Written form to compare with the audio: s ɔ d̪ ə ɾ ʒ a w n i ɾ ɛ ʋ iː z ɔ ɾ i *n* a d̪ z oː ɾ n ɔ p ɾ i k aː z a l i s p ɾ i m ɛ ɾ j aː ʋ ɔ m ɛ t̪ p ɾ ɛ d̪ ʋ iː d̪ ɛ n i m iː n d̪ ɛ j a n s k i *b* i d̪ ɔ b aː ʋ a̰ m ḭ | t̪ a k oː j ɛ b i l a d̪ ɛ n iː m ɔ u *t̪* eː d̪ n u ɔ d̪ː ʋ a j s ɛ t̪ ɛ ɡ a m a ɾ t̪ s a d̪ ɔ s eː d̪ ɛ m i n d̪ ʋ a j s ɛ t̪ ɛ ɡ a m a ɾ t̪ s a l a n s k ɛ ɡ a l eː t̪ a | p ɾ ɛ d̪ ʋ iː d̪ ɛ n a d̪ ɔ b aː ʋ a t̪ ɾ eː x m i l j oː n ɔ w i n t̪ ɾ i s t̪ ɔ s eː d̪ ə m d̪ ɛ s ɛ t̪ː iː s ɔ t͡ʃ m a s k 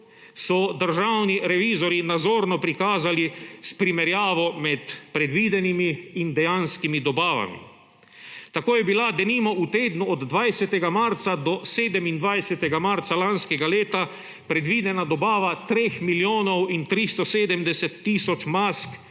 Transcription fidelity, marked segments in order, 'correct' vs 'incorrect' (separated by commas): correct, incorrect, correct